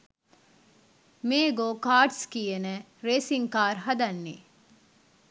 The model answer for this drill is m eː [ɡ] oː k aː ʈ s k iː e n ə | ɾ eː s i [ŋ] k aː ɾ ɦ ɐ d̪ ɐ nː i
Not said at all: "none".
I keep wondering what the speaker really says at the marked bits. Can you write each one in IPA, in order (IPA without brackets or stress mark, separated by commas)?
ɡ, ŋ